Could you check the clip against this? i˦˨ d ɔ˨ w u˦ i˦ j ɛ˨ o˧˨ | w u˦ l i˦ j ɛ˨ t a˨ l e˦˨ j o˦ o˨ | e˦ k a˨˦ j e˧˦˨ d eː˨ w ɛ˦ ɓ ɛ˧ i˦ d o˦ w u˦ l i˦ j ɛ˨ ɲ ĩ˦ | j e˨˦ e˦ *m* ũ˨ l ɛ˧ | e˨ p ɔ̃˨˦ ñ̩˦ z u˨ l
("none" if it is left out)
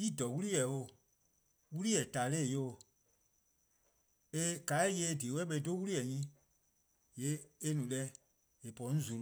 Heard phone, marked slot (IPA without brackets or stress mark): n